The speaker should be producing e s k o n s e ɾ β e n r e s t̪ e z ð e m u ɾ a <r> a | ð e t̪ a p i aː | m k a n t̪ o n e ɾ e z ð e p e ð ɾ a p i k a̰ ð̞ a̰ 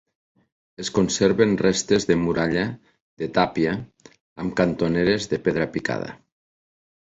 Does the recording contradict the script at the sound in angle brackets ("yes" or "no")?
yes